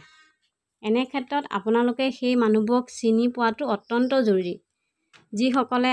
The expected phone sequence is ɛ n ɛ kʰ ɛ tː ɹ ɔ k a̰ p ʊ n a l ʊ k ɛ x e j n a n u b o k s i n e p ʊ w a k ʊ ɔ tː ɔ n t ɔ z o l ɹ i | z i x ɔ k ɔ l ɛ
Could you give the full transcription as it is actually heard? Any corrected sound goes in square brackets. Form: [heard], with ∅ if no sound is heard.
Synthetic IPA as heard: ɛ n ɛ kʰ ɛ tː ɹ ɔ [t] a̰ p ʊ n a l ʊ k ɛ x e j [m] a n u b [ɔ] k s i n [i] p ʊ w a [t] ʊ ɔ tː ɔ n t ɔ z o [ɹ] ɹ i | z i x ɔ k ɔ l ɛ

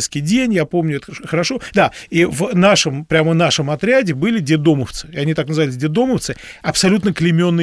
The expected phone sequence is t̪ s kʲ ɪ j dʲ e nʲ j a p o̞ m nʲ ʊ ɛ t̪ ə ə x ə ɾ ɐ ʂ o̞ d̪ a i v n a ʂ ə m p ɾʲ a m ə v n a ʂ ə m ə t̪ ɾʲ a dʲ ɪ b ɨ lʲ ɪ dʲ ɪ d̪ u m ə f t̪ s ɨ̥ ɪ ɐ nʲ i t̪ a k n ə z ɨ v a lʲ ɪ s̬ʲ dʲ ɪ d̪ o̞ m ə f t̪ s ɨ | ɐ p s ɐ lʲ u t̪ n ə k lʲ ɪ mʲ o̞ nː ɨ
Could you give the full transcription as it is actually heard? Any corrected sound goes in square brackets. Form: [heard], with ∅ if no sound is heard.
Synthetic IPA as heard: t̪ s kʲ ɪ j dʲ e nʲ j a p o̞ m nʲ ʊ ɛ t̪ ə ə x ə ɾ ɐ ʂ o̞ d̪ a i v n a ʂ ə m p ɾʲ a m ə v n a ʂ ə m [ɐ] t̪ ɾʲ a dʲ ɪ b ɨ lʲ ɪ dʲ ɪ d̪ [o] m ə f t̪ s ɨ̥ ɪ ɐ nʲ i t̪ a k n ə z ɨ v a lʲ ɪ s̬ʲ dʲ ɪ d̪ o̞ m ə f t̪ s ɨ | ɐ p s ɐ lʲ u t̪ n ə k lʲ ɪ mʲ o̞ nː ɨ

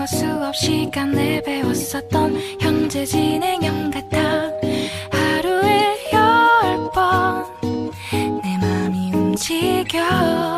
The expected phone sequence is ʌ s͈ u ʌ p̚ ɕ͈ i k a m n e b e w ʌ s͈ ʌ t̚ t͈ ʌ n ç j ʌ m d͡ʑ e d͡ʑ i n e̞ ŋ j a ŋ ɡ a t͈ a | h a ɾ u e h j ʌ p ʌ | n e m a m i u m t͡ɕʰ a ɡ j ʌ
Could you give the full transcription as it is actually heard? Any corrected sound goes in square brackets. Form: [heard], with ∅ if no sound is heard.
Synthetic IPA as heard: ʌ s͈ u ʌ p̚ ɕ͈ i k a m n e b e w ʌ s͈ ʌ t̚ t͈ ʌ n ç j ʌ [ŋ] d͡ʑ e d͡ʑ i n e̞ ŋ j [ʌ] ŋ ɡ a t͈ a | h a ɾ u e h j ʌ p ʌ | n e m a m i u m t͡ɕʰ [i] ɡ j ʌ

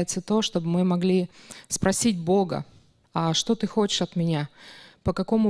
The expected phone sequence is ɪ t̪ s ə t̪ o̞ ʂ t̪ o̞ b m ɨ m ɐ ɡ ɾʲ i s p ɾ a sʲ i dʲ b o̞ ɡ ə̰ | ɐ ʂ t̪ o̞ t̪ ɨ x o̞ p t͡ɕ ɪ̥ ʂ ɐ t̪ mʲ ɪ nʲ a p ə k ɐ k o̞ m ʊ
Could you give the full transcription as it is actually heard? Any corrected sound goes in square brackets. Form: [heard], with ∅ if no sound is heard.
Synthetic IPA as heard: ɪ t̪ s ə t̪ o̞ ʂ t̪ o̞ b m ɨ m ɐ ɡ [lʲ] i s p ɾ [ɐ] sʲ i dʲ b o̞ ɡ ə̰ | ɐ ʂ t̪ o̞ t̪ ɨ x o̞ [∅] t͡ɕ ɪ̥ ʂ ɐ t̪ mʲ ɪ nʲ a p ə k ɐ k o̞ m ʊ

